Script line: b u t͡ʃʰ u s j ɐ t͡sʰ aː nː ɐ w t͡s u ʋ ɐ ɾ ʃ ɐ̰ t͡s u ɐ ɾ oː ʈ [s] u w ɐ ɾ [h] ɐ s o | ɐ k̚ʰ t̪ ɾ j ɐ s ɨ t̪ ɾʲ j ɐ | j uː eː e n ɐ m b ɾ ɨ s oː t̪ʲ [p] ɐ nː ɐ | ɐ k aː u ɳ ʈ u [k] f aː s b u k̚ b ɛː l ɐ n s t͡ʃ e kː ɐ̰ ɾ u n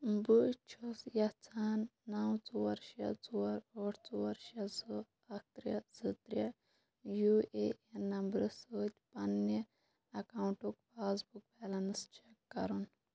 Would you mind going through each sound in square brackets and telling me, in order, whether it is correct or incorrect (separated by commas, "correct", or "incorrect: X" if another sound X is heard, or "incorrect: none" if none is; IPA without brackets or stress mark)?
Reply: incorrect: t͡s, incorrect: ʃ, correct, correct